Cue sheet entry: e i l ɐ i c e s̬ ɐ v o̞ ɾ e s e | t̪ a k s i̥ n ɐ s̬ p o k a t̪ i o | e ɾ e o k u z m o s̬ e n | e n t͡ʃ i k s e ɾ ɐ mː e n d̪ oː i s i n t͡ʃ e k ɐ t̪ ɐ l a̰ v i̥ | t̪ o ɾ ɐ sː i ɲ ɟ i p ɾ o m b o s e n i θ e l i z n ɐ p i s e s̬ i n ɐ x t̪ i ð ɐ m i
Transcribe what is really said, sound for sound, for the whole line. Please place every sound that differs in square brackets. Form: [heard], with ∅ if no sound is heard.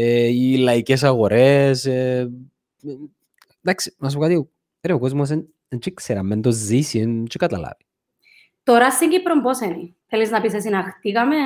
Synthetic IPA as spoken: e i l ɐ i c e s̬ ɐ [ɣ] o̞ ɾ e s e | [d̪] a k s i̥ n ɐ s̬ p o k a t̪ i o | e ɾ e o k [o] z m o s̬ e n | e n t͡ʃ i k s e ɾ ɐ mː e n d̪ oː i s i n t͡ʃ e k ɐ t̪ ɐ l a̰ v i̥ | t̪ o ɾ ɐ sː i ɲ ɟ i p ɾ o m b o s e n i θ e l i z n ɐ p i s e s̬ i n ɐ x t̪ i [ɣ] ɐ m [e]